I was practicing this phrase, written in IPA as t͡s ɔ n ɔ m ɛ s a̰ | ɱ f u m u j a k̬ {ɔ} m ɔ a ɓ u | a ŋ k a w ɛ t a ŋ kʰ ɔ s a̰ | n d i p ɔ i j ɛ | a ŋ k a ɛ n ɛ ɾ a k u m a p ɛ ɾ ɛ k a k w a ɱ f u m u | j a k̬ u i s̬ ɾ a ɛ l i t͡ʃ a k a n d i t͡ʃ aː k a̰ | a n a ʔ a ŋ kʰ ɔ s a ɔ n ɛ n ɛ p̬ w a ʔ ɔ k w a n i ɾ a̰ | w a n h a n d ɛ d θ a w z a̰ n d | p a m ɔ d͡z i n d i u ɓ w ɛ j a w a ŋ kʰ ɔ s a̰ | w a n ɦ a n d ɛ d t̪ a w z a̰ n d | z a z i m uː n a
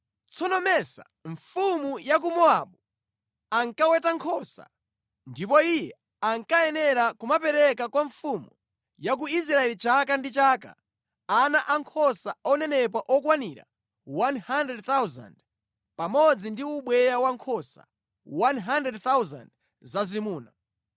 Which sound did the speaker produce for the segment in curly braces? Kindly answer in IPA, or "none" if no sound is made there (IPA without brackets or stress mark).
u